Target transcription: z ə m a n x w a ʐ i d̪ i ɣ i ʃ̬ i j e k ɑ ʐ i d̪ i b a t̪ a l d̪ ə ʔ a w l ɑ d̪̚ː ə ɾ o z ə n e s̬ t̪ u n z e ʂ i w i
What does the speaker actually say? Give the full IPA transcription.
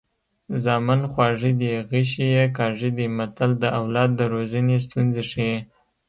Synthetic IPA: z ɑ m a n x w ɑ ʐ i d̪ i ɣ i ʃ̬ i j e k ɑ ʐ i d̪ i m a t̪ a l d̪ ə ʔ a w l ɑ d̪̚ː ə ɾ o z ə n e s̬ t̪ u n z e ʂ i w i